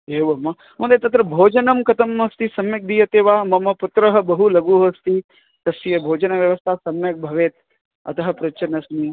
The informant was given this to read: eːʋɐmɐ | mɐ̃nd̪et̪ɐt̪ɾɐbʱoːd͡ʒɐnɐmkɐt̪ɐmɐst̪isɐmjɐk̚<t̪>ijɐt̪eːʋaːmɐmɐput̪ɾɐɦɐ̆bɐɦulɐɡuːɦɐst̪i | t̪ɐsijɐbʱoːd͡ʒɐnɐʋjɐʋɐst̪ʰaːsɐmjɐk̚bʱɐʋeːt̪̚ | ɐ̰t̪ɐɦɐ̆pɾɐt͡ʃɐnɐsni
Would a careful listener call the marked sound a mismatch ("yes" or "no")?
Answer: yes